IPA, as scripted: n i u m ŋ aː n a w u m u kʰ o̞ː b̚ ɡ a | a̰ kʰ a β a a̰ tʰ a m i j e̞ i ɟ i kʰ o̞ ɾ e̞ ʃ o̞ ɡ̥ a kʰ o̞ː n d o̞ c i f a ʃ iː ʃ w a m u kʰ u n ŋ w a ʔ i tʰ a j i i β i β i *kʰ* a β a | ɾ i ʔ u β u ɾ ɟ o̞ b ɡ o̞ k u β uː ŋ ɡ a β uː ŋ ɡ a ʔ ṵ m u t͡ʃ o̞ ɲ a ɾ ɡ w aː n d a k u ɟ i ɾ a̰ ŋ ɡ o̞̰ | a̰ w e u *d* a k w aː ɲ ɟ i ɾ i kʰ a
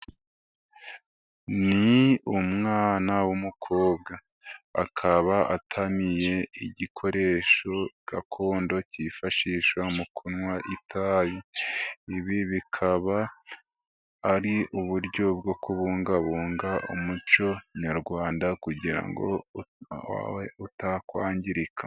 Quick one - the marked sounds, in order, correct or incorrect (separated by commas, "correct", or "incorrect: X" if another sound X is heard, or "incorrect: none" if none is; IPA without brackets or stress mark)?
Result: correct, incorrect: t